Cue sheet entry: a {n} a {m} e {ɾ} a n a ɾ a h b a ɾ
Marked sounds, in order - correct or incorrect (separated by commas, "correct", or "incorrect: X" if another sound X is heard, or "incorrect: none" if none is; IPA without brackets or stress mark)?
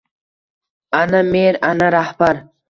correct, correct, correct